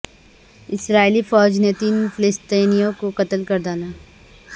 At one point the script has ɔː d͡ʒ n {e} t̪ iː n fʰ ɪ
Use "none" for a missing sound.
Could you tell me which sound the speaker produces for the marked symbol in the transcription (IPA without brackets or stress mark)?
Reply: e